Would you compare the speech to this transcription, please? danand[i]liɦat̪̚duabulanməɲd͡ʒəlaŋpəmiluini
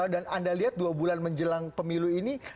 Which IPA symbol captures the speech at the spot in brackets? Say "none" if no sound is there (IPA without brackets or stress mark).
a